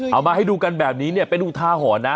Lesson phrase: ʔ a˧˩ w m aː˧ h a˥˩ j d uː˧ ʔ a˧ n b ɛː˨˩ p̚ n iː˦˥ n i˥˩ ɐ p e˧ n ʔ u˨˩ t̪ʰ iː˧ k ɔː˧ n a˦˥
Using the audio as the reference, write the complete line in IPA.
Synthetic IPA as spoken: ʔ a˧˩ w m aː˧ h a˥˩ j d uː˧ k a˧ n b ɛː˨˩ p̚ n iː˦˥ n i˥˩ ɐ p e˧ n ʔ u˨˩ t̪ʰ aː˧ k ɔː˩˦ n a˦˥